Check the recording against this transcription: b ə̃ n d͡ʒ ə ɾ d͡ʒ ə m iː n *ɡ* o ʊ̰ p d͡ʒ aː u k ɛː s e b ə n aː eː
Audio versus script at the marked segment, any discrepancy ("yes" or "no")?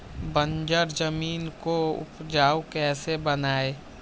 yes